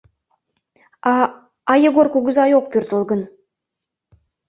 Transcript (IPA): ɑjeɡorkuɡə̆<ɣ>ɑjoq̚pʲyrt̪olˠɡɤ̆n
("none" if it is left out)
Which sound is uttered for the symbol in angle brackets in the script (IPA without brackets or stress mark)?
z